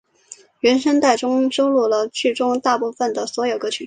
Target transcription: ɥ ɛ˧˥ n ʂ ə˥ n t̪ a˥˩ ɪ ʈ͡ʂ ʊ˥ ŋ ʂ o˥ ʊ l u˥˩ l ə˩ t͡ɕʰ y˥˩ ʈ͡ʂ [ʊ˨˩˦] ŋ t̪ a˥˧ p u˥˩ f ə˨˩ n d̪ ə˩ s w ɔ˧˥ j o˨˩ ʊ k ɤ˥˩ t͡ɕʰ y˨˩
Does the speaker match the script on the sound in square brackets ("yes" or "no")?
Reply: no